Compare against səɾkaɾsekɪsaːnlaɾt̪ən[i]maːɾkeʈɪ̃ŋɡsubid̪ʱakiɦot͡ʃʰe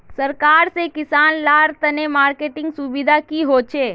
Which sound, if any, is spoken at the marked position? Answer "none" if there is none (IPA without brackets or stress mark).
e